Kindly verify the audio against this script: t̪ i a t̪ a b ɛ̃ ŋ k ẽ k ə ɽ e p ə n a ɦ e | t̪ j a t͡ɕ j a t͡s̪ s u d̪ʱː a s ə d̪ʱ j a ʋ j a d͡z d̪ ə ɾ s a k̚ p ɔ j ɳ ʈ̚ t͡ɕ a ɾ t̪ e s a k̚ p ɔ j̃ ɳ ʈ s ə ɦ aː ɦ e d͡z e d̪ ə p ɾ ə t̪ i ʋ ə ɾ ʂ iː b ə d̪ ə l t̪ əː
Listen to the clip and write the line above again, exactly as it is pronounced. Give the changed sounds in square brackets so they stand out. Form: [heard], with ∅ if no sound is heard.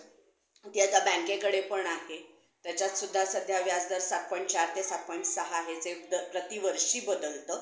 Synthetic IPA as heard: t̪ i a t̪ a b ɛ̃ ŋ k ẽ k ə ɽ e p ə [ɳ] a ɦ e | t̪ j a t͡ɕ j a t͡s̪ s u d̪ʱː a s ə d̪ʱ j a ʋ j a d͡z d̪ ə ɾ s a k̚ p ɔ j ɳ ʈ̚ t͡ɕ a ɾ t̪ e s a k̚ p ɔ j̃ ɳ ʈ s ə ɦ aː ɦ e d͡z e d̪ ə p ɾ ə t̪ i ʋ ə ɾ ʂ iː b ə d̪ ə l t̪ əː